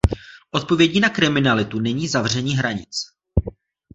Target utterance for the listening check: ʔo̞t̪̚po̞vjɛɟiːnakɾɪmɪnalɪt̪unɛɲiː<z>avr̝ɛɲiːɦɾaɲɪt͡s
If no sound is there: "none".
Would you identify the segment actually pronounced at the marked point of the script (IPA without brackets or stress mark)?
z